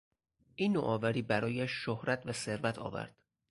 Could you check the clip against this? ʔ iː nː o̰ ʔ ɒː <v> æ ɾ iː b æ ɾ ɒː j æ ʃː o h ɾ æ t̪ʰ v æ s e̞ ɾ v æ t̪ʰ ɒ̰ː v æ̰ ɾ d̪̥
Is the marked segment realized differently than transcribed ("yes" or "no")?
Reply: no